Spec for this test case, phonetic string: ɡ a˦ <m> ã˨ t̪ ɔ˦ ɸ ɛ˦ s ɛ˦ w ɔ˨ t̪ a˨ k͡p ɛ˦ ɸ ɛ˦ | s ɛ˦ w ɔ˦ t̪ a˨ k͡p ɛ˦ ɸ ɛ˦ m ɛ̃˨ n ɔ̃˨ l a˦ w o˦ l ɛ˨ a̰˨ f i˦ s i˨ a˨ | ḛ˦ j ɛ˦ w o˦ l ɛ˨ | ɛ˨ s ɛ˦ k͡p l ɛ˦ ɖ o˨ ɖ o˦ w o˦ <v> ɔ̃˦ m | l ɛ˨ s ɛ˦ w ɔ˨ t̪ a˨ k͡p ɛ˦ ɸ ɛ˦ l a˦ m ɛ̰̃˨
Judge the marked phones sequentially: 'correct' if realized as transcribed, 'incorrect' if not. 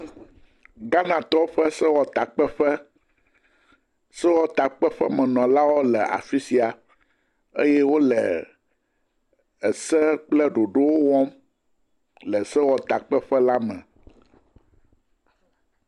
incorrect, incorrect

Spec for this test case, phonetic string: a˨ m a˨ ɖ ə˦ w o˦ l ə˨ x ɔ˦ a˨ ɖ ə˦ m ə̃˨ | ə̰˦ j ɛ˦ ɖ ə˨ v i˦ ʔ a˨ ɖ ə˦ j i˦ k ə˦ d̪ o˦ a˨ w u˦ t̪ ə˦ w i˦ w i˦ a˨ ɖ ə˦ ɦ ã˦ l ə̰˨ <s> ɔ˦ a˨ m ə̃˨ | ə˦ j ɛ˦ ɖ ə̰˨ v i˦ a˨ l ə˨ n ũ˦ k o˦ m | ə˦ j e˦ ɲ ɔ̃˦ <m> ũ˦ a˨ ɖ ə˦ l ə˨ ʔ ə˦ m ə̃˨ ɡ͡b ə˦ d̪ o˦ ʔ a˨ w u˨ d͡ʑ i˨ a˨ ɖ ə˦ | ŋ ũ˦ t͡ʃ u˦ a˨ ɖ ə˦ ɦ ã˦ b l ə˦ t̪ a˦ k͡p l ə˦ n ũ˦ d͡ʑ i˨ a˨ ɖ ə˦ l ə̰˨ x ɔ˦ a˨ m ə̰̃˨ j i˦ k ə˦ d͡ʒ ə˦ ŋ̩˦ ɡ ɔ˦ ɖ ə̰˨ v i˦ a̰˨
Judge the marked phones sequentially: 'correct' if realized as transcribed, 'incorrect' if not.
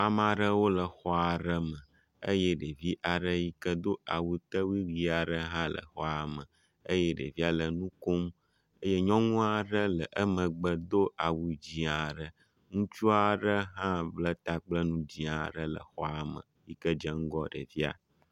incorrect, incorrect

